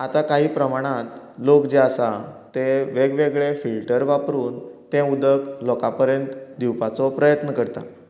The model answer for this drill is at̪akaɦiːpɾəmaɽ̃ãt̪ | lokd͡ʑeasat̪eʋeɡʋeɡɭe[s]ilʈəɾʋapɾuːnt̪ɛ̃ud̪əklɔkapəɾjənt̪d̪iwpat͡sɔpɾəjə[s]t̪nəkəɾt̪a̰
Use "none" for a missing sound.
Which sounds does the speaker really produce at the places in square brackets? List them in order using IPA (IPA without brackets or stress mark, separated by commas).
f, none